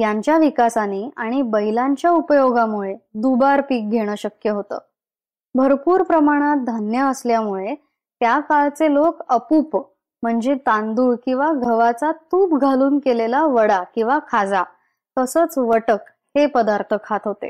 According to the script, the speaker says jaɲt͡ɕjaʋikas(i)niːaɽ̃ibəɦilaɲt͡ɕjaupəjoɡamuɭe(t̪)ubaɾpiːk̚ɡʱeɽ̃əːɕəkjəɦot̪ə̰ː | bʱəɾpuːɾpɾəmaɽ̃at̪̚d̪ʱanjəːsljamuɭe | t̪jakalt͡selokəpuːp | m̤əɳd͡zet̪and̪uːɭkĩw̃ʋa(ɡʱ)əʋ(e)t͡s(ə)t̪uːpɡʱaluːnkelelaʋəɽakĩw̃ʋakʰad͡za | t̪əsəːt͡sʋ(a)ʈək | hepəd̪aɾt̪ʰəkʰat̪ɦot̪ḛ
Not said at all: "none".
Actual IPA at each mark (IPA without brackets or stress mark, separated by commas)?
a, d̪, ɡʱ, a, a, ə